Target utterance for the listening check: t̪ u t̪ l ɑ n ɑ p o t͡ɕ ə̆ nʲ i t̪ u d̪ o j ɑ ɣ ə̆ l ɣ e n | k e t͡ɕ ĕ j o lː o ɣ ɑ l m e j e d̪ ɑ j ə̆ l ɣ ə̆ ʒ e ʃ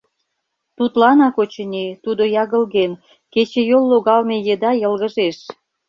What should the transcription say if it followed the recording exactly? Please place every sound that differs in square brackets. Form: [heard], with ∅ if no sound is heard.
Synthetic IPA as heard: t̪ u t̪ l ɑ n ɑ [k] o t͡ɕ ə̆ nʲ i t̪ u d̪ o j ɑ ɣ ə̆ l ɣ e n | k e t͡ɕ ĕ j o lː o ɣ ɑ l m e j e d̪ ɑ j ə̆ l ɣ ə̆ ʒ e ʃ